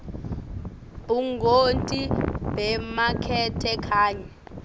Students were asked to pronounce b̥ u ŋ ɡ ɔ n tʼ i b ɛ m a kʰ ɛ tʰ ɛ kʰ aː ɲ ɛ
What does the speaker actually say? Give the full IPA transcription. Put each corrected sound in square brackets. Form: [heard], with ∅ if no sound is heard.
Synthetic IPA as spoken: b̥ u ŋ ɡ [o] n tʼ i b ɛ m a kʰ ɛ tʰ ɛ kʰ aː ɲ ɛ